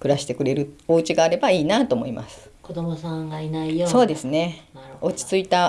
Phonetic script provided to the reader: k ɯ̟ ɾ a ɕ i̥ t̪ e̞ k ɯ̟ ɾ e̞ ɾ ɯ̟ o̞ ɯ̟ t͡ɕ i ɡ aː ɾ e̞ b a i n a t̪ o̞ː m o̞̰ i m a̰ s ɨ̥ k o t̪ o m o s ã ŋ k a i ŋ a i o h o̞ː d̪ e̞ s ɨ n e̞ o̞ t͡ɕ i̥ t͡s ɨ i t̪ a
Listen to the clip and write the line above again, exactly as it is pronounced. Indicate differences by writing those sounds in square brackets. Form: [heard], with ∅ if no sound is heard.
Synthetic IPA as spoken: k ɯ̟ ɾ a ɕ i̥ t̪ e̞ k ɯ̟ ɾ e̞ ɾ ɯ̟ o̞ ɯ̟ t͡ɕ i ɡ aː ɾ e̞ b a [iː] n a t̪ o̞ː m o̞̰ i m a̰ s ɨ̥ k o [d̪] o m o s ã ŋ [ɡ] a i [n] a i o [s] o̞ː d̪ e̞ s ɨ n e̞ o̞ t͡ɕ i̥ t͡s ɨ i t̪ a